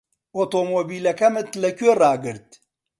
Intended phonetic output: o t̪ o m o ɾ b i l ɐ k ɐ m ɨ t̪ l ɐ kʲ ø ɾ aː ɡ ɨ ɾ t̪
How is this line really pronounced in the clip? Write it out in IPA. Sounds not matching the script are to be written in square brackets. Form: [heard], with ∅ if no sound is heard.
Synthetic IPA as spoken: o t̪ o m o [∅] b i l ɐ k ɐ m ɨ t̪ l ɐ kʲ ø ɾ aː ɡ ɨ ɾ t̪